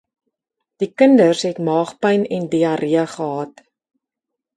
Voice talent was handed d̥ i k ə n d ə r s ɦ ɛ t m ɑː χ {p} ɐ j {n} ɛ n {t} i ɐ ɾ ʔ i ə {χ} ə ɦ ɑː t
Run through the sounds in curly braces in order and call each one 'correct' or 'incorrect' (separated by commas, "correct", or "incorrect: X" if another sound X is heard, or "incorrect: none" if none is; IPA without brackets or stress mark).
correct, correct, incorrect: d, correct